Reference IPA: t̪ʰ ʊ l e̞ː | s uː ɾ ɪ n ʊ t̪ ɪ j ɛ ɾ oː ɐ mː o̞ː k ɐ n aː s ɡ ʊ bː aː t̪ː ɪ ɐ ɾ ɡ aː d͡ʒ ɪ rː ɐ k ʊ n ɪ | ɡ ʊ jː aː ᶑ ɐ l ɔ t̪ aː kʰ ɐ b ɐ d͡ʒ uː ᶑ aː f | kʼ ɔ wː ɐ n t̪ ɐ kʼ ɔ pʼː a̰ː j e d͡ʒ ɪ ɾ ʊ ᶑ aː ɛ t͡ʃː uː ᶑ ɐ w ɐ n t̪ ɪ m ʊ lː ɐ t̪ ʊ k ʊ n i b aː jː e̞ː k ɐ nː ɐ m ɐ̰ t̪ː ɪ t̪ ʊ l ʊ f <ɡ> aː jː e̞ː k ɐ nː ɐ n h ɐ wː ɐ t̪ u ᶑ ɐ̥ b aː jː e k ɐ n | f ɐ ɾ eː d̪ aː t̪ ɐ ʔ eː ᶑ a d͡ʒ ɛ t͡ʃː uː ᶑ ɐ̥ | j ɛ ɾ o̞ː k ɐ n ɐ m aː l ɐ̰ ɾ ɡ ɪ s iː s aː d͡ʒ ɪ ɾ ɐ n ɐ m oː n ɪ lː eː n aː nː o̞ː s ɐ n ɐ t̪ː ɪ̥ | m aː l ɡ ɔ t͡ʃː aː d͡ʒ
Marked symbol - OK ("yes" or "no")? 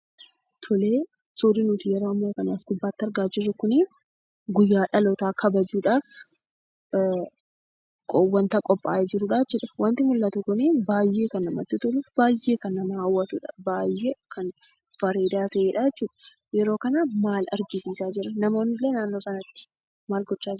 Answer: no